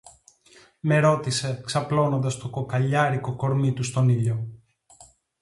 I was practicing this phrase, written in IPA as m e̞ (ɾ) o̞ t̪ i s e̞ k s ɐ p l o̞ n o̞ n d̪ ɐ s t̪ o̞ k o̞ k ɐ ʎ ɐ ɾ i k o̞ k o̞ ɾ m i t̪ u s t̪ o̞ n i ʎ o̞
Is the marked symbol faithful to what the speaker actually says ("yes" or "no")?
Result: yes